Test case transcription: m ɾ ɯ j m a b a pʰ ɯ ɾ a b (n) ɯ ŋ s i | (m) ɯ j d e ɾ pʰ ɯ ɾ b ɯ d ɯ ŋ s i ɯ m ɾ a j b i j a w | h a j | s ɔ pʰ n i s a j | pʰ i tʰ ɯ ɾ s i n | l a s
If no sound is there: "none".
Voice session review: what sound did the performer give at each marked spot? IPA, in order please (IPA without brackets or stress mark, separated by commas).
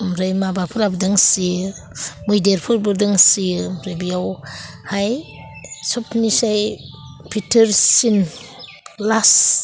d, m